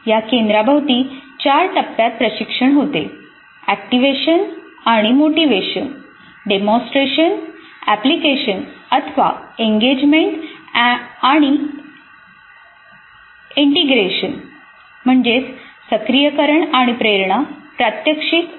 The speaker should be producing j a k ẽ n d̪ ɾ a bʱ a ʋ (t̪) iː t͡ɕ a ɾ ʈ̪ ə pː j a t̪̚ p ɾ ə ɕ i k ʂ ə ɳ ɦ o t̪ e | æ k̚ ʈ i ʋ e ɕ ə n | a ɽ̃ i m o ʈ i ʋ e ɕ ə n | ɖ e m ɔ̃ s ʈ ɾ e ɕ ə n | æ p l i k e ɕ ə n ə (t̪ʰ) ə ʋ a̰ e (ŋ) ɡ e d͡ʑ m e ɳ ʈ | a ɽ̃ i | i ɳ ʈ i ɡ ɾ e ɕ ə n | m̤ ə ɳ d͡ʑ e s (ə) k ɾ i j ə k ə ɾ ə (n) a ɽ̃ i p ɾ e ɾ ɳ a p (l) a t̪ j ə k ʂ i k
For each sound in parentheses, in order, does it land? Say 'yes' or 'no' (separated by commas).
yes, yes, yes, yes, no, no